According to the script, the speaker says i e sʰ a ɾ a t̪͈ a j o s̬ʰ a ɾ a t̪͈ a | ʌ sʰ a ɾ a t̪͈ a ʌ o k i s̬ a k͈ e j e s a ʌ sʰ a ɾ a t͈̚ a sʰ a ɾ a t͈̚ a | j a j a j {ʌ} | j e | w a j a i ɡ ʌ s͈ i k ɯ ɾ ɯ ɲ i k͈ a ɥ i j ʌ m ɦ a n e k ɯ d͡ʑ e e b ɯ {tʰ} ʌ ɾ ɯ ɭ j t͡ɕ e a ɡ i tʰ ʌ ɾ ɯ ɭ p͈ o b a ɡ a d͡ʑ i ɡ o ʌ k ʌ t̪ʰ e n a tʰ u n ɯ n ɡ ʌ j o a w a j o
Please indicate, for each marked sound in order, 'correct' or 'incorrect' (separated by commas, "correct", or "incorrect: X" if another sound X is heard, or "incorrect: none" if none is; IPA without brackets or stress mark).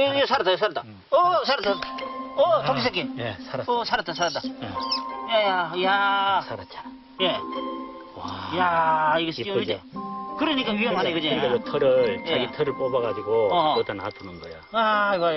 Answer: incorrect: a, correct